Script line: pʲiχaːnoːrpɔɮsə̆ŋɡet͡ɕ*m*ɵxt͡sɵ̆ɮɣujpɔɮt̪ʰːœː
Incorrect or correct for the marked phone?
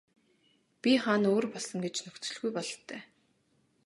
incorrect: n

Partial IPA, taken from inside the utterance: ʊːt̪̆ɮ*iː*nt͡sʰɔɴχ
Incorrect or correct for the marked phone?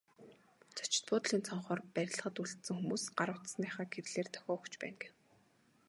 correct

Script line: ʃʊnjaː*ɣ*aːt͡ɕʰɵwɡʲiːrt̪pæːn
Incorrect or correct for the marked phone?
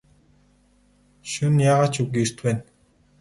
incorrect: ʁ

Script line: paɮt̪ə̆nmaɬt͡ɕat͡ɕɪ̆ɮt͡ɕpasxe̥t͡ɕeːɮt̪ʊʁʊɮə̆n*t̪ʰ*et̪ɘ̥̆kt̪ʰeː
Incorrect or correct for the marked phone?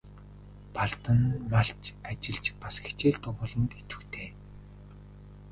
incorrect: t̪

